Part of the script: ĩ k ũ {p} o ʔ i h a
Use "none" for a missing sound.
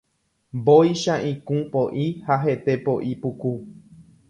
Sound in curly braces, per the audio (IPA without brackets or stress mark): p